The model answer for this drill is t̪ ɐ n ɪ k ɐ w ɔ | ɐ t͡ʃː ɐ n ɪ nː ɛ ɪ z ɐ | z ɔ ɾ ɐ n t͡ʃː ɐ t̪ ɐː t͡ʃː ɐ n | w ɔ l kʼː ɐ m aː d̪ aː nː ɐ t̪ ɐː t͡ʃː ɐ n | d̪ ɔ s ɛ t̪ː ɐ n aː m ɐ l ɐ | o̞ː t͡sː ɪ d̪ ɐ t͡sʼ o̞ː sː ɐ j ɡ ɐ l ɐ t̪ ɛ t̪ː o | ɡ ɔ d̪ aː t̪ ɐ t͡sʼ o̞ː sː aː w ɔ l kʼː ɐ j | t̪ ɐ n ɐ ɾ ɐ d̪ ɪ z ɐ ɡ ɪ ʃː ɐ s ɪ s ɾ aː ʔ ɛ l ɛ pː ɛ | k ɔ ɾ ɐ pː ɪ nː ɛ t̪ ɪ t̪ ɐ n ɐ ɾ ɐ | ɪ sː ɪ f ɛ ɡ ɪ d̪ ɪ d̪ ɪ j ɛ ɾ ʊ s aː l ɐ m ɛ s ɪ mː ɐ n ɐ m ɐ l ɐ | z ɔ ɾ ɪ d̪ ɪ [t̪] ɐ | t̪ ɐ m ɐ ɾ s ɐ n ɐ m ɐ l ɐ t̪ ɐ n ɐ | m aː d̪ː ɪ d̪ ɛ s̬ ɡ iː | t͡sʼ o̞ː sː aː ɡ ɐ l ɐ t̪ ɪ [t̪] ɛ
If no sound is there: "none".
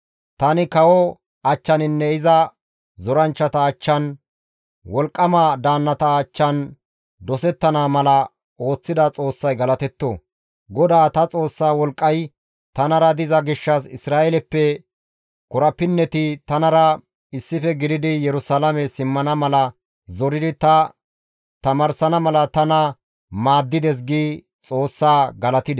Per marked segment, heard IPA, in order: t̪, d̪

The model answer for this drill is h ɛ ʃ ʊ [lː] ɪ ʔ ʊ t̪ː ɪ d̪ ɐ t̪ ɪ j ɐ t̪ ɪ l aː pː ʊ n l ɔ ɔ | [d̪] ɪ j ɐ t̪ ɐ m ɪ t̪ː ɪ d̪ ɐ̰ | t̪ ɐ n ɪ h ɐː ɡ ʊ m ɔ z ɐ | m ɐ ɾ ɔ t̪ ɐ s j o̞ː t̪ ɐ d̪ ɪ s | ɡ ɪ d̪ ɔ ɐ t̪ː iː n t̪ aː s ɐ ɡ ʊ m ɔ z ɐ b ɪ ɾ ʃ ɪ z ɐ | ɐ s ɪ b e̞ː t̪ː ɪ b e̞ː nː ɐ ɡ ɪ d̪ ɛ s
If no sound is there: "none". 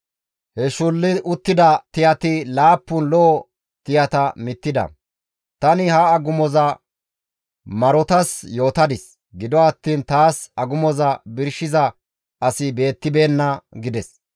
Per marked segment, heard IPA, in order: lː, t̪

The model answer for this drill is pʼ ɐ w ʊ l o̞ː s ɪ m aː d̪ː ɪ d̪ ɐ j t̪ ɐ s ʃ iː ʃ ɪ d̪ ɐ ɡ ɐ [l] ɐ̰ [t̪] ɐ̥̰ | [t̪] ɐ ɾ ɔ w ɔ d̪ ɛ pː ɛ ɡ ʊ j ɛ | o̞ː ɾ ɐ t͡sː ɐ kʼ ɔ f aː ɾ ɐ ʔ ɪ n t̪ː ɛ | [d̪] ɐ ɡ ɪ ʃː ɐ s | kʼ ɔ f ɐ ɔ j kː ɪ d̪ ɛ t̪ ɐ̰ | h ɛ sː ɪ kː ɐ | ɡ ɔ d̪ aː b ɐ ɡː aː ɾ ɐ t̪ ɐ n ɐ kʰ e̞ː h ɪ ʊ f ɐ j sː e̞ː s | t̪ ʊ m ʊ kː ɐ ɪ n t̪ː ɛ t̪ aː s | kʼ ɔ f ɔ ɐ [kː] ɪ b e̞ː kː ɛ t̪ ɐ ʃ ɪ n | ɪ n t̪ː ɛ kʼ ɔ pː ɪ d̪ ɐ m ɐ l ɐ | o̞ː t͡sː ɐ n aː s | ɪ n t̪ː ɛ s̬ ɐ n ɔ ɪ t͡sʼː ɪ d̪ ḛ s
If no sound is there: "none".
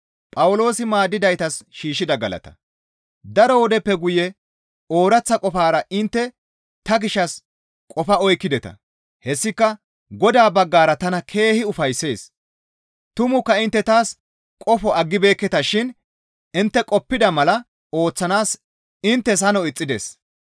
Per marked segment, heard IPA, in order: l, t̪, d̪, t̪, ɡː

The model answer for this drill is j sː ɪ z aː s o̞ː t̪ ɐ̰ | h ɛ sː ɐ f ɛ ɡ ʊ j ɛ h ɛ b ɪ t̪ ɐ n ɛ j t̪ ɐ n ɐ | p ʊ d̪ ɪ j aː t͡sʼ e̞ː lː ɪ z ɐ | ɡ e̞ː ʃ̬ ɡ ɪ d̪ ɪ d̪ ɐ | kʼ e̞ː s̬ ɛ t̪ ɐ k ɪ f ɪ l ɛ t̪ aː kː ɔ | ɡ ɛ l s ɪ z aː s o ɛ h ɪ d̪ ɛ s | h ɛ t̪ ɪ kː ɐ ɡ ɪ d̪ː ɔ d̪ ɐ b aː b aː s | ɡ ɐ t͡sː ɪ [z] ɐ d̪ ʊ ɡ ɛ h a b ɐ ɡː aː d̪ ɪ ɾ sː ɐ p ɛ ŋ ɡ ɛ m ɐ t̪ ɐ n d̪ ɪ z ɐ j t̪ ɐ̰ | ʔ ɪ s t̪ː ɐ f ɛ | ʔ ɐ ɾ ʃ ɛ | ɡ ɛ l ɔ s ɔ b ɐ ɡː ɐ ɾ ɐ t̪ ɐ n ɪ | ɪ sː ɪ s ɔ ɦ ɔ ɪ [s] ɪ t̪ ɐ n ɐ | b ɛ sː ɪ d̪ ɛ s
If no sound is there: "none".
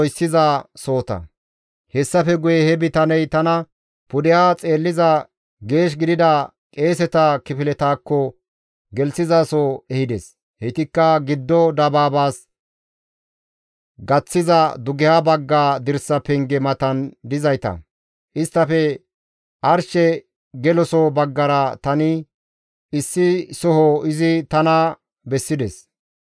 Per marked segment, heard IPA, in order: z, z

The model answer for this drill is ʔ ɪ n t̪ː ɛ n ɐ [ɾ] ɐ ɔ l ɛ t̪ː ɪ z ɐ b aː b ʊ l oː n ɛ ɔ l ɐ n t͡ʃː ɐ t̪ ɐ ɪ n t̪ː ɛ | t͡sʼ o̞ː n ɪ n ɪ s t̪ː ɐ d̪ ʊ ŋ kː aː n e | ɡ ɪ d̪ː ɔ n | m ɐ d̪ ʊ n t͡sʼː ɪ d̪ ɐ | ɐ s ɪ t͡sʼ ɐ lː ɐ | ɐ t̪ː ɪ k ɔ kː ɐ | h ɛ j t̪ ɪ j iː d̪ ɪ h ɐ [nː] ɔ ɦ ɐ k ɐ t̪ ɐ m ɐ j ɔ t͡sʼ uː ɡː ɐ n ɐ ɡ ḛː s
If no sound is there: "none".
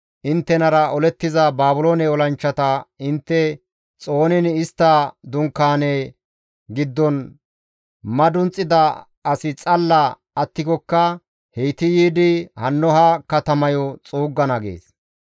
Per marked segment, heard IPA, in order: ɾ, nː

